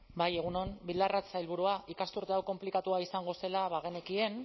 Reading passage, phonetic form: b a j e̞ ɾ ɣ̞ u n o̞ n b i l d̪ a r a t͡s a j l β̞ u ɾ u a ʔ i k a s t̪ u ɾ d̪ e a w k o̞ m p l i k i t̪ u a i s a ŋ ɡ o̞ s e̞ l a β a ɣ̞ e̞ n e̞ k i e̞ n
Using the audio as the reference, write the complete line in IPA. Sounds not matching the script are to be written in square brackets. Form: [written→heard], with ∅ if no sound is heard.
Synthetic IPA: b a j e̞ [ɾ→∅] ɣ̞ u n o̞ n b i l d̪ a r a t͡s a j l β̞ u ɾ u a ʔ i k a s t̪ u ɾ [d̪→t̪] e a w k o̞ m p l i k [i→a] t̪ u a i s a ŋ ɡ o̞ s e̞ l a β a ɣ̞ e̞ n e̞ k i e̞ n